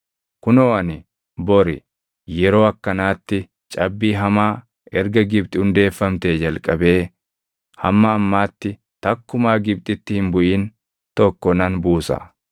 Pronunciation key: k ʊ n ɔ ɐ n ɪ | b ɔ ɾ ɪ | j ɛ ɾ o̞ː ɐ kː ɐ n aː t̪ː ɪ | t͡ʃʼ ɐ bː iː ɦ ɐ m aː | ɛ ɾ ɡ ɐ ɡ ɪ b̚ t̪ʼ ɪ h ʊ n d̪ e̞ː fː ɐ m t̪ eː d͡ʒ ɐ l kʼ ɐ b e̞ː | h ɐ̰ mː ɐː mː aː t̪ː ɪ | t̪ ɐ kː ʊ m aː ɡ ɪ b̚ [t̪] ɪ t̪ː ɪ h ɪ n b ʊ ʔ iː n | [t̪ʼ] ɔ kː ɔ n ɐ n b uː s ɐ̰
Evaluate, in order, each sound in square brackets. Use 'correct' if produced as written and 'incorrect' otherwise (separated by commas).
incorrect, incorrect